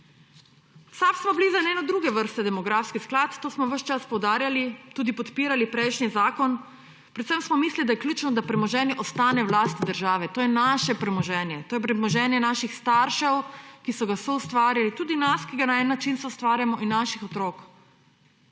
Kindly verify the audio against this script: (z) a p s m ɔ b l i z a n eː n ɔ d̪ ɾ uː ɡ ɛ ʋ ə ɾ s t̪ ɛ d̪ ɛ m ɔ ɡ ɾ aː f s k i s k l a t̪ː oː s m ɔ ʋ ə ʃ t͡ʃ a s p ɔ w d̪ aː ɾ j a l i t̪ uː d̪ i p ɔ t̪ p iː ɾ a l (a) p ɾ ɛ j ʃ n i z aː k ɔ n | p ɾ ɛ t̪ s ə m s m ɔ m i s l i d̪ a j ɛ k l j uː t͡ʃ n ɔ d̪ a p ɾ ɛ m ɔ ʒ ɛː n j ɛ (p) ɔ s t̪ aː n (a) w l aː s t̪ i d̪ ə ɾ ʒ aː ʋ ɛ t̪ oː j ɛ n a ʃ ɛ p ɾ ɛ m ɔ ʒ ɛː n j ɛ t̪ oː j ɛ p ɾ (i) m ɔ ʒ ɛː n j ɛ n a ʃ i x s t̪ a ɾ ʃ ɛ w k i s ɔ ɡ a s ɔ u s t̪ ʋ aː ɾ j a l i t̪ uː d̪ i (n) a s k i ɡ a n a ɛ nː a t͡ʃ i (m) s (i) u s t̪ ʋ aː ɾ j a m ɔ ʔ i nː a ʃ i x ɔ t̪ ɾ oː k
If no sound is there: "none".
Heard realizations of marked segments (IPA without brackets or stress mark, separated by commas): s, i, ʔ, ɛ, ɛ, n, n, ɛ